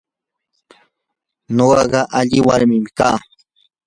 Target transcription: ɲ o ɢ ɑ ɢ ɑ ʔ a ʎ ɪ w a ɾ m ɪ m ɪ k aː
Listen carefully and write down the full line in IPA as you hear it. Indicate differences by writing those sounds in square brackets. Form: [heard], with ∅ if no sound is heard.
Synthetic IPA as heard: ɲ o ɢ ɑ ɢ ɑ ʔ a ʎ ɪ w a ɾ m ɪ m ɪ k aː